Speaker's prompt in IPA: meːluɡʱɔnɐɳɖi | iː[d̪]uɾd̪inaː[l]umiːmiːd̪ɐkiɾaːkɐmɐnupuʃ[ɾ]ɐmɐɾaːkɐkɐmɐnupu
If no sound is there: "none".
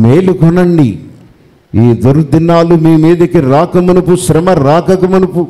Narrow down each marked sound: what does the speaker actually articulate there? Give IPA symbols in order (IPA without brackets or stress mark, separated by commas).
d̪, l, ɾ